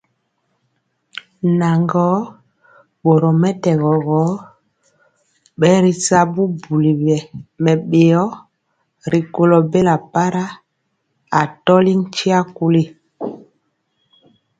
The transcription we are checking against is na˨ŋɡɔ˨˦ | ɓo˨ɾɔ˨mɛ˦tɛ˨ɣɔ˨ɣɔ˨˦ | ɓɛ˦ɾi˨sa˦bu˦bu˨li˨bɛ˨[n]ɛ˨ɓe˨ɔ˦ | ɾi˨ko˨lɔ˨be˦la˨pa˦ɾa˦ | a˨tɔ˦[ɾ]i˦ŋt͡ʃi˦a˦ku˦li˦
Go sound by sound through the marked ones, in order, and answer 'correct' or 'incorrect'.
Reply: incorrect: m, incorrect: l

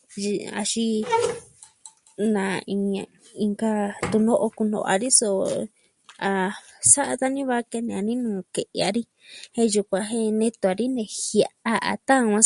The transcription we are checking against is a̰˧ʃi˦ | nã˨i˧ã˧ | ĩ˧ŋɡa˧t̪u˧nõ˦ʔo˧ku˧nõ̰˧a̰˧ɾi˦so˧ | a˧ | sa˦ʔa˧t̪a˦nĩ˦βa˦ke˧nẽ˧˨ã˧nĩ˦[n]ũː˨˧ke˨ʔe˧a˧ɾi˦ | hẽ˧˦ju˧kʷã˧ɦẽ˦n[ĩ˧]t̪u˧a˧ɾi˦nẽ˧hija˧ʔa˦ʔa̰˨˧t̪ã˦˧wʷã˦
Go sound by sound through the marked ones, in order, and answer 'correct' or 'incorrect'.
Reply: correct, incorrect: ẽ˧

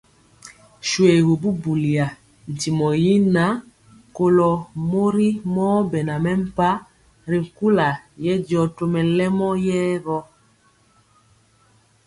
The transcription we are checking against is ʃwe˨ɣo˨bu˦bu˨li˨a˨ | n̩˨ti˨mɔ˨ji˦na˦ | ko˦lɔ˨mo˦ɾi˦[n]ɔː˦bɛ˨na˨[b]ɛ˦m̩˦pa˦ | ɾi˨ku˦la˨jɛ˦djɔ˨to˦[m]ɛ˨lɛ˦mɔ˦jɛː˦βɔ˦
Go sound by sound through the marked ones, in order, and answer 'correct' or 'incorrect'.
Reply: incorrect: m, incorrect: m, correct

